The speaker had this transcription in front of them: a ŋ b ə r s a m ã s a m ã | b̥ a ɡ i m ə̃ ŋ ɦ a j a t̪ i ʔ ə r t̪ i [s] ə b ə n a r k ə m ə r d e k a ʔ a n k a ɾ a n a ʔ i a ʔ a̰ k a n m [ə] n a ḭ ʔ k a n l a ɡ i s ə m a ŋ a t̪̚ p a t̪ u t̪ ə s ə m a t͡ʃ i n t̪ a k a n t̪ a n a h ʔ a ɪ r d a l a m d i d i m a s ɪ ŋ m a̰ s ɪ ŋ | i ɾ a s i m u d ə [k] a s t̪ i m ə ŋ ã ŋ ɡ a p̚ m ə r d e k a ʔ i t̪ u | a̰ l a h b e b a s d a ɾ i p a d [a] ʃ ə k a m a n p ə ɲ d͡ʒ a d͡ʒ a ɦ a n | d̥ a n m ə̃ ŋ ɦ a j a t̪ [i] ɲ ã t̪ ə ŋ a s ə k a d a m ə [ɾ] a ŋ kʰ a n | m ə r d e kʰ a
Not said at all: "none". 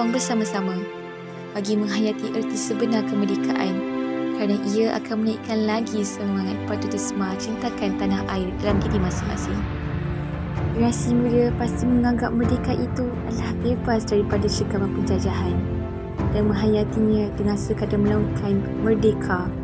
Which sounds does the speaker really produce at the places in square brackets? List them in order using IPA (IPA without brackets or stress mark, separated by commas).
s, ə, p, a, i, l